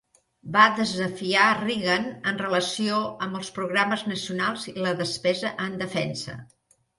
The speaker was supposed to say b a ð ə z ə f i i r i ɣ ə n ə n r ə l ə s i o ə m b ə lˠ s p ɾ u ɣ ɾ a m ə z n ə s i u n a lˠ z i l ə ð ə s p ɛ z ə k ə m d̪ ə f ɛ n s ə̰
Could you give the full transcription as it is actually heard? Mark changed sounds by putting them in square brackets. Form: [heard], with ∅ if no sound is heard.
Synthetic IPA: b a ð ə z ə f i [a] r i ɣ ə n ə n r ə l ə s i o ə m b ə lˠ s p ɾ u ɣ ɾ a m ə z n ə s i u n a lˠ z i l ə ð ə s p ɛ z ə [ʔ] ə [n] d̪ ə f ɛ n s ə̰